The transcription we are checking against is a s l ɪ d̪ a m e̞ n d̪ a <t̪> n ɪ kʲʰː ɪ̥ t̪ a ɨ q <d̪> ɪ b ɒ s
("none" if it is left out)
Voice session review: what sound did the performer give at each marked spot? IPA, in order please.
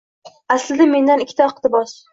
none, t̪

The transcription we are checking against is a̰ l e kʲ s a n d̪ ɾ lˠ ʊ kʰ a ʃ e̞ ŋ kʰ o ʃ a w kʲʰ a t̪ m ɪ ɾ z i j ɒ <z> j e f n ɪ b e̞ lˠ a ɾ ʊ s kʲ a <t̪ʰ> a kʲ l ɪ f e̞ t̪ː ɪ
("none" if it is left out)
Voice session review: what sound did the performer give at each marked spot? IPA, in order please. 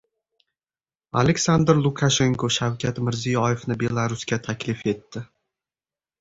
none, t̪ʰ

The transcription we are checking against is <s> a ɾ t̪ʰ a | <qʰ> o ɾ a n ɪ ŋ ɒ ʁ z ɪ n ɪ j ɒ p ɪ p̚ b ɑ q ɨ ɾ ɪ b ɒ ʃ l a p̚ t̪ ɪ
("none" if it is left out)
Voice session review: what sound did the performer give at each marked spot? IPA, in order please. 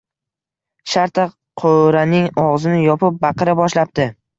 ʃ, qʰ

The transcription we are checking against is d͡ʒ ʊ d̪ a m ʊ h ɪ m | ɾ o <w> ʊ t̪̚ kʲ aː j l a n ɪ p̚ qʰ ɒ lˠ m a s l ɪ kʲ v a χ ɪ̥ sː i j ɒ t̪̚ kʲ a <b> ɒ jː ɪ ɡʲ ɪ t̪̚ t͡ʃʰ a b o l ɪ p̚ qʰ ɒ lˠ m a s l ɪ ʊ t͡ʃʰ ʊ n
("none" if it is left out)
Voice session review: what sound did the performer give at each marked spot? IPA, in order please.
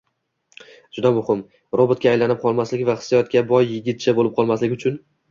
b, b

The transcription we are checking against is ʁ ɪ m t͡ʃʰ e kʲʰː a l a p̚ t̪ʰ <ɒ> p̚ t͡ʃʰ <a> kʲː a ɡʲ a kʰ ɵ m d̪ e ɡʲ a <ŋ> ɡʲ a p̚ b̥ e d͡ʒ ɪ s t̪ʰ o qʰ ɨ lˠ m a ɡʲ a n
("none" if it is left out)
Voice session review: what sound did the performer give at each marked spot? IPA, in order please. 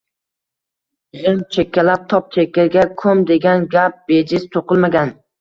ɒ, e, n

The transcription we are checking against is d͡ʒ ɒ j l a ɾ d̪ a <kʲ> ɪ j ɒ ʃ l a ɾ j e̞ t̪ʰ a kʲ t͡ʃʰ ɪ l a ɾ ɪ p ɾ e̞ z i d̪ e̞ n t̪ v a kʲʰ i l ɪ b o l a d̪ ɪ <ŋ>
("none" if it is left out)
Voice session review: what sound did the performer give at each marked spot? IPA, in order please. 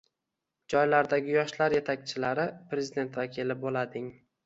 ɡʲ, ŋ

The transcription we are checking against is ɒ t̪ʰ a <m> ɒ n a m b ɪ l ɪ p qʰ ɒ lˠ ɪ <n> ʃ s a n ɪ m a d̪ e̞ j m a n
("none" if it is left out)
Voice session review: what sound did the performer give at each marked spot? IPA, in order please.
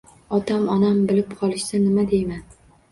m, none

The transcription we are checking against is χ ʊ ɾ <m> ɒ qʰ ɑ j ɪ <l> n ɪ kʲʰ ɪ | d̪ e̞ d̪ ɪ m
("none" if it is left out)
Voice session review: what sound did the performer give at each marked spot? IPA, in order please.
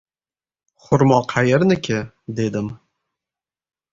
m, ɾ

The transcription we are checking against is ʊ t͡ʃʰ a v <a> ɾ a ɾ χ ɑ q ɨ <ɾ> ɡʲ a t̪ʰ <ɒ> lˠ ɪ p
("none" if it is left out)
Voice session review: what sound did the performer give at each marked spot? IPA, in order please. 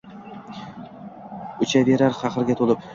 e, ɾ, o

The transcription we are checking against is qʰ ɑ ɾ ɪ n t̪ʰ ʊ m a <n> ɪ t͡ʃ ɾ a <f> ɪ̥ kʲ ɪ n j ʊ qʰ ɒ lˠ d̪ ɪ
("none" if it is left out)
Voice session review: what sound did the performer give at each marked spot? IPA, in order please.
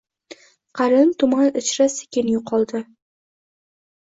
n, s

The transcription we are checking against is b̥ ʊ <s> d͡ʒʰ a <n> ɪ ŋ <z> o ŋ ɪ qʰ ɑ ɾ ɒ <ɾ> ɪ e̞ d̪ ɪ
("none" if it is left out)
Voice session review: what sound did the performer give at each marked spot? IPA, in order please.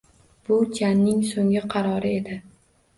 none, nː, s, ɾ

